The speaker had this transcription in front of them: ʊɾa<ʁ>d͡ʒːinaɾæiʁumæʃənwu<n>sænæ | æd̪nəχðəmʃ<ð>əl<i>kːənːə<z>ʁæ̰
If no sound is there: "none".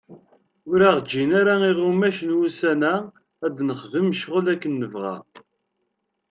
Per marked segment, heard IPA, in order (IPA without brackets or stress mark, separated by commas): ʁ, none, ʁ, æ, v